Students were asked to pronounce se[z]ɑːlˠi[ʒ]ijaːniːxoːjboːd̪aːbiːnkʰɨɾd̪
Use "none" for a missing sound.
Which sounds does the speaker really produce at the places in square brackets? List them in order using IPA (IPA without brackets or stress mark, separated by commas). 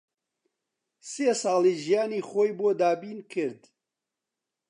s, ʒ